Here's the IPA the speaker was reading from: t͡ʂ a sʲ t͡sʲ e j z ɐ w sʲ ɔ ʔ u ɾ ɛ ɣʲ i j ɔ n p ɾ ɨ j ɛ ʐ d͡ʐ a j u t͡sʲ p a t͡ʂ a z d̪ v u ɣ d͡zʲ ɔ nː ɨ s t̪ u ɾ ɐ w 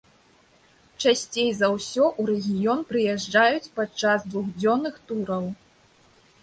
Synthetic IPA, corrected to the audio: t͡ʂ a sʲ t͡sʲ e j z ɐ w sʲ ɔ ʔ u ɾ ɛ ɣʲ i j ɔ n p ɾ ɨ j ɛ ʐ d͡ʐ a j u t͡sʲ p a t͡ʂ a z d̪ v u ɣ d͡zʲ ɔ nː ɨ x t̪ u ɾ ɐ w